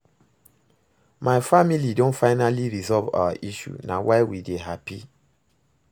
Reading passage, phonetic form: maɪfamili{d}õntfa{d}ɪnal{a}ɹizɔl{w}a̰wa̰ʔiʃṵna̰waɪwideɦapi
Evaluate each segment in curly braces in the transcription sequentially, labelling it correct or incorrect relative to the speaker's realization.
correct, incorrect: none, incorrect: i, incorrect: v

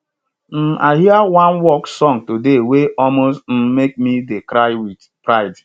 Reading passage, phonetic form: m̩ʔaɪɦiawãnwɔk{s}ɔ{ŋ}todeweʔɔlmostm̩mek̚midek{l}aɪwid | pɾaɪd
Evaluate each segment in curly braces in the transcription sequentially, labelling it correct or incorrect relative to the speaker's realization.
correct, correct, incorrect: ɾ

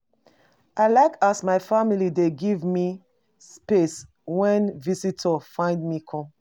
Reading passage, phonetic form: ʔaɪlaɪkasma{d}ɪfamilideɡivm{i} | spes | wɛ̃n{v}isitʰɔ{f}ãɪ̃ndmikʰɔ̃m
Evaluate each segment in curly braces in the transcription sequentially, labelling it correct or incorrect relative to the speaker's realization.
incorrect: none, correct, correct, correct

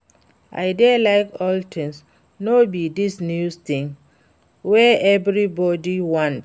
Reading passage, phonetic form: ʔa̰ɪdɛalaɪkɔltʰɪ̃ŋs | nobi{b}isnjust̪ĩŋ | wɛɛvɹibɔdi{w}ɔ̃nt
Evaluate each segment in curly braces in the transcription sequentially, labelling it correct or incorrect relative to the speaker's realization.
incorrect: d, correct

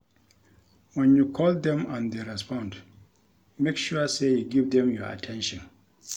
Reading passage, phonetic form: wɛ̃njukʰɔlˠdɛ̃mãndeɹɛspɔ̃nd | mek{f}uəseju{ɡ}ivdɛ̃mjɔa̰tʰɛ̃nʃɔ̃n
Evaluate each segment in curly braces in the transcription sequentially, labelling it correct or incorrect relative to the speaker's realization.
incorrect: ʃ, correct

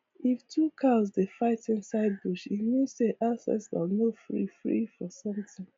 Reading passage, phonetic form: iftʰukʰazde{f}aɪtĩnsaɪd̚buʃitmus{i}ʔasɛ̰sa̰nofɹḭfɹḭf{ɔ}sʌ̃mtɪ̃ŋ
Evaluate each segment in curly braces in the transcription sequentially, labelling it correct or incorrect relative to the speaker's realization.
correct, incorrect: e, correct

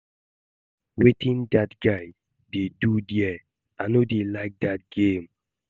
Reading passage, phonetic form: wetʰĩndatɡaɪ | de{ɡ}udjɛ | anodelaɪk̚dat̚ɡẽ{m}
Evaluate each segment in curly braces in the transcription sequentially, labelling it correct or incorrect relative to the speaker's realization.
incorrect: d, correct

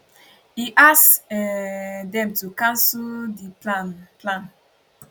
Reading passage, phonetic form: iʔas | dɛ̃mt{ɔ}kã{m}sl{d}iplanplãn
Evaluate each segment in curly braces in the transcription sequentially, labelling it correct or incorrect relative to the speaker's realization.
incorrect: u, incorrect: n, correct

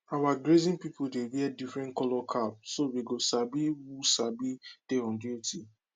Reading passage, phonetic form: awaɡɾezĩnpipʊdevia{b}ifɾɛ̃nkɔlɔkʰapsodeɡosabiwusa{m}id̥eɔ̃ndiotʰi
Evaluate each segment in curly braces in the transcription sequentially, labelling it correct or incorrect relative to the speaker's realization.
incorrect: d, incorrect: b

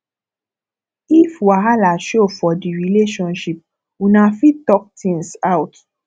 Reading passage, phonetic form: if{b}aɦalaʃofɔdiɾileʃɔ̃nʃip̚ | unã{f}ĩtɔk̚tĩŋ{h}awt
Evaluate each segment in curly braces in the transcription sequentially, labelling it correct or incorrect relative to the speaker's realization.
incorrect: w, correct, incorrect: s

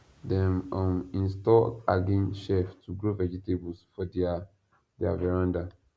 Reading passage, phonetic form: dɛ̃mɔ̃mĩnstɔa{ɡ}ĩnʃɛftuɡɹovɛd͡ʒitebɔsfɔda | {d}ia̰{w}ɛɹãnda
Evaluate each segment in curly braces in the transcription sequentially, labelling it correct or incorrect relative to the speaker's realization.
correct, correct, incorrect: v

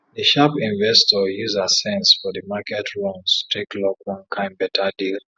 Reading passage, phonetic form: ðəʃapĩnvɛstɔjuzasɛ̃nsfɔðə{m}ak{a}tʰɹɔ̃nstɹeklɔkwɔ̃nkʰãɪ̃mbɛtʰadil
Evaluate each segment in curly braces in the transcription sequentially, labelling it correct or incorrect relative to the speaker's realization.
correct, incorrect: ɛ

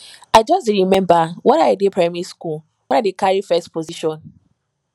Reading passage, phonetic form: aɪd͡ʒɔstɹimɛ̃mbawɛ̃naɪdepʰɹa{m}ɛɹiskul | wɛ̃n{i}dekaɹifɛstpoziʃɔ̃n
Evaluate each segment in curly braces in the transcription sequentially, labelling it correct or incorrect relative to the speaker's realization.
correct, incorrect: a

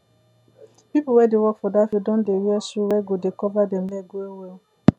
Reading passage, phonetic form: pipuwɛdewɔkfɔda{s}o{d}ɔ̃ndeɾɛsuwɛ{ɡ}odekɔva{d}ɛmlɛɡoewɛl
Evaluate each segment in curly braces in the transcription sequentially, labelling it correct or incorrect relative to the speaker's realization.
incorrect: f, correct, correct, correct

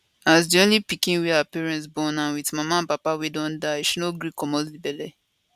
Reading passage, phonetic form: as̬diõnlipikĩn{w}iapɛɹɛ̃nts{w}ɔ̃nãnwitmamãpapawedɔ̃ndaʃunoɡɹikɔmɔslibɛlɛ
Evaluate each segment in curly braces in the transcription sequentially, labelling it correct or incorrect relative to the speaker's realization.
correct, incorrect: b

